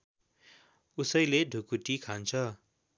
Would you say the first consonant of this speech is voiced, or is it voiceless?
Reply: voiceless